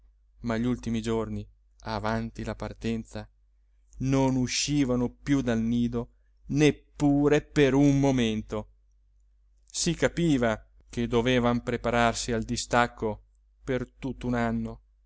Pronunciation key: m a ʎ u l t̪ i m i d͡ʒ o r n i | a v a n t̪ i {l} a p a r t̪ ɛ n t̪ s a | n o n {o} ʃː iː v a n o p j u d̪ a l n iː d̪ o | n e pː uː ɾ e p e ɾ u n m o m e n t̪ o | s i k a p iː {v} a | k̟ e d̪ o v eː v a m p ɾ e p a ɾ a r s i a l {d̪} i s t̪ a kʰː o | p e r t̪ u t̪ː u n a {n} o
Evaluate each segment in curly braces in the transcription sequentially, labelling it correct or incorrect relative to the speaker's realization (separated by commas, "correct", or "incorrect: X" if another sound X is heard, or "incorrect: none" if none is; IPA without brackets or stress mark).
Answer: correct, incorrect: u, correct, correct, incorrect: nː